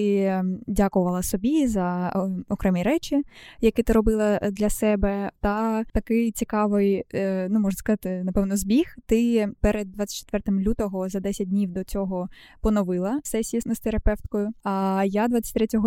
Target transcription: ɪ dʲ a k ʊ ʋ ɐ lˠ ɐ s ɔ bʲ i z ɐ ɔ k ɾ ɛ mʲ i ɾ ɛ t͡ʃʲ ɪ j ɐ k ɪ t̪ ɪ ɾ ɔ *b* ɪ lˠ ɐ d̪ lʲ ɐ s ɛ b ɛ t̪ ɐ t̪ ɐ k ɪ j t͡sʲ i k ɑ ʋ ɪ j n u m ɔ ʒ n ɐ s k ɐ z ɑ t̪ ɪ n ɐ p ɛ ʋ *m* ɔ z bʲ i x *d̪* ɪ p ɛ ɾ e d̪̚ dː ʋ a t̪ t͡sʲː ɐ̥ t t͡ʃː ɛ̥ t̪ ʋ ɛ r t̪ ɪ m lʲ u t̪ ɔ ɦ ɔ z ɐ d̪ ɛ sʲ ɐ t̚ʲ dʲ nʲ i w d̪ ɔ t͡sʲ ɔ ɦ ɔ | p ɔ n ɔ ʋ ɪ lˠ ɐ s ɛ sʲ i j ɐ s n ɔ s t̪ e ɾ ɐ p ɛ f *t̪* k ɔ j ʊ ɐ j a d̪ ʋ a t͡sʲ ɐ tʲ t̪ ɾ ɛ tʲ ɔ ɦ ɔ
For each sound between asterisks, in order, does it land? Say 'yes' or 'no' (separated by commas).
yes, no, no, yes